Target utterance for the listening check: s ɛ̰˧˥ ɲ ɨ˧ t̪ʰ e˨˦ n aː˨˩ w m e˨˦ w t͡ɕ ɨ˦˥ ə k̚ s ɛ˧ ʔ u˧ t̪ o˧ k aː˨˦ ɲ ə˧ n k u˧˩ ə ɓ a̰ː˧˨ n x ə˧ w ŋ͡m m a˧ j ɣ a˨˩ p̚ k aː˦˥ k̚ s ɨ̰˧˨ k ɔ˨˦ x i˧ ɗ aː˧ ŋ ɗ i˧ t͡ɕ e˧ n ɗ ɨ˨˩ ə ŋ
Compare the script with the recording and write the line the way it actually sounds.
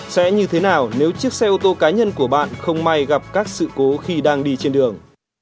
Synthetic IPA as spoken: s ɛ̰˧˥ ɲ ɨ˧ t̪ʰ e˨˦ n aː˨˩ w n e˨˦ w t͡ɕ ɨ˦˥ ə k̚ s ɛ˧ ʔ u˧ t̪ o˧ k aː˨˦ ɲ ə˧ n k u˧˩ ə ɓ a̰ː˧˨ n x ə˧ w ŋ͡m m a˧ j ɣ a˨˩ p̚ k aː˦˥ k̚ s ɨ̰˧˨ k o˨˦ x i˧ ɗ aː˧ ŋ ɗ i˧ t͡ɕ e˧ n ɗ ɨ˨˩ ə ŋ

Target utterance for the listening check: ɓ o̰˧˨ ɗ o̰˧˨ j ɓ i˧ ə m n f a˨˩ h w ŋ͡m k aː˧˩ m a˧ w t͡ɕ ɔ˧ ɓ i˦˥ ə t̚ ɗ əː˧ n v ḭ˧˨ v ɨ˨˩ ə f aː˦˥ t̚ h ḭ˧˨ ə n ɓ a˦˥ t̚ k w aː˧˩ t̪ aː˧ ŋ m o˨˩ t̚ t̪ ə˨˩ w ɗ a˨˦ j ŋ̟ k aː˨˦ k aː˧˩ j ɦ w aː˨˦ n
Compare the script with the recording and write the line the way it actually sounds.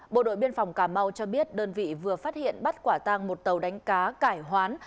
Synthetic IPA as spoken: ɓ o̰˧˨ ɗ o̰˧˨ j ɓ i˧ ə n f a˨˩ w ŋ͡m k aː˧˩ m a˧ w t͡ɕ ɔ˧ ɓ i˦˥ ə t̚ ɗ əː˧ n v ḭ˧˨ v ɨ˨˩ ə f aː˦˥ t̚ h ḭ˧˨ ə n ɓ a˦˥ t̚ k w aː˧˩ t̪ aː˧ ŋ m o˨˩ t̚ t̪ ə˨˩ w ɗ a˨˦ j ŋ̟ k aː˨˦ k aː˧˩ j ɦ w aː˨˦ n

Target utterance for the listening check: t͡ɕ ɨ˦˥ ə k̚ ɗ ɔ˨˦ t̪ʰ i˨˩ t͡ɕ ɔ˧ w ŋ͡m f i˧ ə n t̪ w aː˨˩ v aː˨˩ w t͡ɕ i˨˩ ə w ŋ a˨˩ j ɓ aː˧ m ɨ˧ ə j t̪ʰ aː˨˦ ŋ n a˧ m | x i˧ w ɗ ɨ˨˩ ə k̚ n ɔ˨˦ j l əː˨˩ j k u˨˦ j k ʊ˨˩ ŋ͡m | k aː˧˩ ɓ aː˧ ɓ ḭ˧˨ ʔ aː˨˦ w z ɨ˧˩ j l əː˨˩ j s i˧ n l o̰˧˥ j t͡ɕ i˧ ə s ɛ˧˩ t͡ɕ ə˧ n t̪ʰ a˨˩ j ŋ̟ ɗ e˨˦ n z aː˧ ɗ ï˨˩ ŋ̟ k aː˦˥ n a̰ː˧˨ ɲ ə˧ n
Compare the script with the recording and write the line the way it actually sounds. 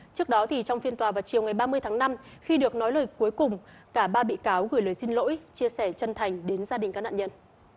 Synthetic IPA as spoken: t͡ɕ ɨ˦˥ ə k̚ ɗ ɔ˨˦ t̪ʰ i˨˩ t͡ɕ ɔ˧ w ŋ͡m f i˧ ə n t̪ w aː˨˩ v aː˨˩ w t͡ɕ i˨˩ ə w ŋ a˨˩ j ɓ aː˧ m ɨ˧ ə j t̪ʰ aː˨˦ ŋ n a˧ m | x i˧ ɗ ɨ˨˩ ə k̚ n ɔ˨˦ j l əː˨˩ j k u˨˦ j k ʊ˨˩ ŋ͡m | k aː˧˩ ɓ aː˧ ɓ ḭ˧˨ k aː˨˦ w ɣ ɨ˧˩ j l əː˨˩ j s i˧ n l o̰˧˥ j t͡ɕ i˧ ə s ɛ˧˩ t͡ɕ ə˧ n t̪ʰ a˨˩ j ŋ̟ ɗ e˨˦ n z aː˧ ɗ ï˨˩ ŋ̟ k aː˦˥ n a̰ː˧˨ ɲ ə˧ n

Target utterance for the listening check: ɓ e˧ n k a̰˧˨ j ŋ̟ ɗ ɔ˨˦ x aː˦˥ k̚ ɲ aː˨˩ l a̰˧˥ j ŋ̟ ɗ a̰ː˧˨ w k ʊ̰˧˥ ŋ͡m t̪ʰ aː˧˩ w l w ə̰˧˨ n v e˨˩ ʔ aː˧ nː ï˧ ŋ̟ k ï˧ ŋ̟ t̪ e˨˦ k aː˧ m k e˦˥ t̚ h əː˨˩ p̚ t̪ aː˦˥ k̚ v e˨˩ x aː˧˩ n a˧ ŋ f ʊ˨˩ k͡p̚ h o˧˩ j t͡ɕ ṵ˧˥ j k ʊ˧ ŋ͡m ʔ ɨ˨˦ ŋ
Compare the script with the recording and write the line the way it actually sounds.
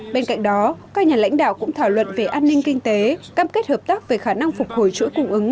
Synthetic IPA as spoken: ɓ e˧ n k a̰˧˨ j ŋ̟ ɗ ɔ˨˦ k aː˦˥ k̚ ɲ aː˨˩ l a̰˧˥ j ŋ̟ ɗ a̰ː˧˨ w k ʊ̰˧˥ ŋ͡m t̪ʰ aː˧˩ w l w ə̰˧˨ n v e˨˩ ʔ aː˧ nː ï˧ ŋ̟ k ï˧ ŋ̟ t̪ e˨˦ k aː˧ m k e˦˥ t̚ h əː˨˩ p̚ t̪ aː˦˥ k̚ v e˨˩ x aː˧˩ n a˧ ŋ f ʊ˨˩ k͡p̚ h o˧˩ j t͡ɕ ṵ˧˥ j k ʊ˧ ŋ͡m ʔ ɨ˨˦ ŋ

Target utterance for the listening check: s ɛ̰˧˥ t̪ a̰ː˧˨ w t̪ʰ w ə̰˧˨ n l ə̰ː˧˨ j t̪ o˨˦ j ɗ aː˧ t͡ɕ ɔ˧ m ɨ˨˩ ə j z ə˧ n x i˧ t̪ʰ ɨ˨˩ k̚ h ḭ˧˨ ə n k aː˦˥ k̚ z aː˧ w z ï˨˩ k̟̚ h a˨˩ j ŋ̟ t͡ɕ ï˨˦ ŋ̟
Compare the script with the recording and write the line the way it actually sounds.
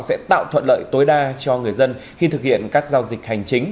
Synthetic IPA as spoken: s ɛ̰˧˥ t̪ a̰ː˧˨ w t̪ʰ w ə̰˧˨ n l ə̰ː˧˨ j t̪ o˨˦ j ɗ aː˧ t͡ɕ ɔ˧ ŋ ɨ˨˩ ə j z ə˧ n x i˧ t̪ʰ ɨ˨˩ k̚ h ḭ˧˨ ə n k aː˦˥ k̚ z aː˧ w z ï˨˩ k̟̚ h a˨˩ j ŋ̟ t͡ɕ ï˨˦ ŋ̟

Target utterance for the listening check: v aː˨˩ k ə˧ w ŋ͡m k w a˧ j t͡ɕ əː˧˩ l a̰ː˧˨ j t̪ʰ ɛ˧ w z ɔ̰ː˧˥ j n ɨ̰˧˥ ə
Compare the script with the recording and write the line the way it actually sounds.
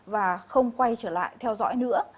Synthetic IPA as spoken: v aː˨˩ x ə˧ w ŋ͡m k w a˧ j t͡ɕ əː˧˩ l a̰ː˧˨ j t̪ʰ ɛ˧ w z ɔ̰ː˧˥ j n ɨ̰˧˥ ə

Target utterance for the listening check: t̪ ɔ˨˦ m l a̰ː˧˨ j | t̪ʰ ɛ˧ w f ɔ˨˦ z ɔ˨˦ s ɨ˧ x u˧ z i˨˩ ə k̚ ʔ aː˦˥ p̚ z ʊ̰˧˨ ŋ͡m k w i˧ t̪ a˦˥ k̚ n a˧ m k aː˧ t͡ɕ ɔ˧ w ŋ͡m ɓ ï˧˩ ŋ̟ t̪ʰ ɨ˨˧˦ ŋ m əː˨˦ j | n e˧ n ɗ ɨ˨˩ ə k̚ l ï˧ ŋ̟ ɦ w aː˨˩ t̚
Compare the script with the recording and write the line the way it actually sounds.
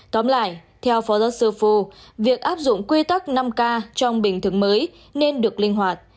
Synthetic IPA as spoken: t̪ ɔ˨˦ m l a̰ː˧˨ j | t̪ʰ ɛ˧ w f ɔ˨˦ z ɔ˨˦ s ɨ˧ f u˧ v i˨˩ ə k̚ ʔ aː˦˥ p̚ z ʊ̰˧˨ ŋ͡m k w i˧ t̪ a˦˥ k̚ n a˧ m k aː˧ t͡ɕ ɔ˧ w ŋ͡m ɓ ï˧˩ ŋ̟ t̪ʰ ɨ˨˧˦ ŋ m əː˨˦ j | n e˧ n ɗ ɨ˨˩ ə k̚ l ï˧ ŋ̟ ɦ w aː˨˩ t̚

